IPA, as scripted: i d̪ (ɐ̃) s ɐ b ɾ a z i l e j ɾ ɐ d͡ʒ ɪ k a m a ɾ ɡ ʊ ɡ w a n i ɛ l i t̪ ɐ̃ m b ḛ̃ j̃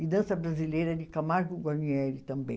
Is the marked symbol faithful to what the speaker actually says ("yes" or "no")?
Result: yes